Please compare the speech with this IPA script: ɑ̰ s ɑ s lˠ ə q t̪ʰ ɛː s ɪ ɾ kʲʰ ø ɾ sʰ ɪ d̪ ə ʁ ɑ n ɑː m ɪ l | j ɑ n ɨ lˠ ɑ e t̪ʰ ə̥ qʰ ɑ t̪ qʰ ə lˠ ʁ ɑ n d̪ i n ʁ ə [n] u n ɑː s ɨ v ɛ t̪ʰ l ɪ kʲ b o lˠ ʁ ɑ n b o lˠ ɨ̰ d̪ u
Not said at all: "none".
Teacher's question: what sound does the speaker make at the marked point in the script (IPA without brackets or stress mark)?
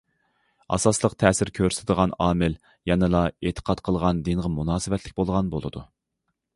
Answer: m